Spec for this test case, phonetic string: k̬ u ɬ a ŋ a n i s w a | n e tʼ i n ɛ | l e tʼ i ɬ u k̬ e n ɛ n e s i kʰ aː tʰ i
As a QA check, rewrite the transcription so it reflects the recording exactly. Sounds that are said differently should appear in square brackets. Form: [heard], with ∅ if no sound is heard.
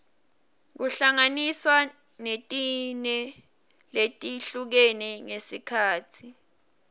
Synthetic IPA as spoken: k̬ u ɬ a ŋ a n i s w a | n e tʼ i n ɛ | l e tʼ i ɬ u k̬ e n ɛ [ŋ] e s i kʰ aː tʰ i

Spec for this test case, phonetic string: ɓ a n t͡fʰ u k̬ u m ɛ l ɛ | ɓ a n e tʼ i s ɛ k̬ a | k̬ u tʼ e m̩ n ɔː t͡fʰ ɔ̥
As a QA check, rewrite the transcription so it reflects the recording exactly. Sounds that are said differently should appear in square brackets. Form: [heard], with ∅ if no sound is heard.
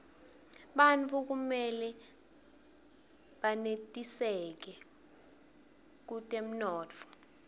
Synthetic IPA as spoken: ɓ a n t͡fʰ u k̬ u m ɛ l ɛ | ɓ a n e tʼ i s ɛ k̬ [ɛ] | k̬ u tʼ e m̩ n ɔː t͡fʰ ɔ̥

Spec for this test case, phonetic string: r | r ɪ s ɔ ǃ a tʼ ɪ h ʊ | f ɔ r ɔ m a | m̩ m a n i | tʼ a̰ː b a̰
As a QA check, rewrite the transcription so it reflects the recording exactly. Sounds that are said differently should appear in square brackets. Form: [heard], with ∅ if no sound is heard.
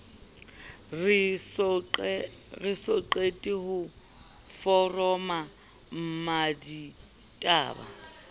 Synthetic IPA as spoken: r | r ɪ s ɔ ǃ [e] tʼ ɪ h ʊ | f ɔ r ɔ m a | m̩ m a [d] i | tʼ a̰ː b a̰

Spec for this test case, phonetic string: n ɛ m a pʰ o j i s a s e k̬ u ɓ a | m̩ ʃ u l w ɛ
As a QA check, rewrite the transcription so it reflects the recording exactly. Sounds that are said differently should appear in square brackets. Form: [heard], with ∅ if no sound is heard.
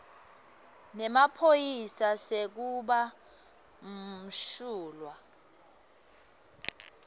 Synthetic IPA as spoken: n ɛ m a pʰ o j i s a s e k̬ u ɓ a | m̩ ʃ [uː] l w [a]

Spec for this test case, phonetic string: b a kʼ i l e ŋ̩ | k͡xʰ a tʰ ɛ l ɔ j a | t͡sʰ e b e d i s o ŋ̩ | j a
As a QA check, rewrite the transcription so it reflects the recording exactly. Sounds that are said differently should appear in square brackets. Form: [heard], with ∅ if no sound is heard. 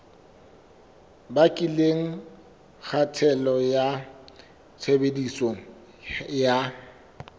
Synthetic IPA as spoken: b a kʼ i l e ŋ̩ | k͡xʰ a tʰ ɛ l ɔ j a | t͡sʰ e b e d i s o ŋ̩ | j a

